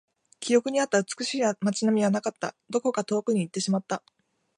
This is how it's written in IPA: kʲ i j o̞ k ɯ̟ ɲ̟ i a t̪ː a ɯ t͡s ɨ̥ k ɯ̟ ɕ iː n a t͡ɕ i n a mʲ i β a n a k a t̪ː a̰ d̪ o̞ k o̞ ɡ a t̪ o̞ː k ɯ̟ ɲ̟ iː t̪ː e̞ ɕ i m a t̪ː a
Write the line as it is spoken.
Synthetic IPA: kʲ i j o̞ k ɯ̟ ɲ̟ i a t̪ː a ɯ t͡s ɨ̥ k ɯ̟ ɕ iː m a t͡ɕ i n a mʲ i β a n a k a t̪ː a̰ d̪ o̞ k o̞ k a t̪ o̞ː k ɯ̟ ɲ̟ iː t̪ː e̞ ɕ i m a t̪ː a